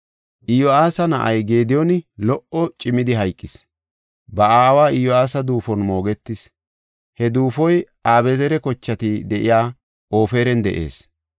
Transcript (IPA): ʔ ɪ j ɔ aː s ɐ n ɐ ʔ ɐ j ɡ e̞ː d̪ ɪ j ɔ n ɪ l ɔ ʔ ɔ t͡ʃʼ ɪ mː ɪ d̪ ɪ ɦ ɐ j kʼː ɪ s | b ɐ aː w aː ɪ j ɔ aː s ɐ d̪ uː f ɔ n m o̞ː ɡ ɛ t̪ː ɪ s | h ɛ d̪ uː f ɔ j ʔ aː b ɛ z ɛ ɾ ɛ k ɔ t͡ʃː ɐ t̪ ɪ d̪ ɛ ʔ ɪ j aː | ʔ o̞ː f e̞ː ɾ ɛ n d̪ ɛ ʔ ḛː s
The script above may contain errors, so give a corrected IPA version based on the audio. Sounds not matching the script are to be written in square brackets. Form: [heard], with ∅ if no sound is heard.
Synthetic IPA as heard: ʔ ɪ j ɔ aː s ɐ n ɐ ʔ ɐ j ɡ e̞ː d̪ ɪ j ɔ n ɪ l ɔ ʔ ɔ t͡ʃʼ ɪ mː ɪ d̪ ɪ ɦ ɐ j kʼː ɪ s | b ɐ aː w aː ɪ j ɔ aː s ɐ d̪ uː f ɔ n m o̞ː ɡ ɛ t̪ː ɪ s | h ɛ d̪ uː f ɔ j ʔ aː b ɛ z ɛ ɾ ɛ k ɔ t͡ʃː ɐ t̪ ɪ d̪ ɛ ʔ ɪ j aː | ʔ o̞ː f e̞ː ɾ ɛ n d̪ ɛ ʔ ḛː s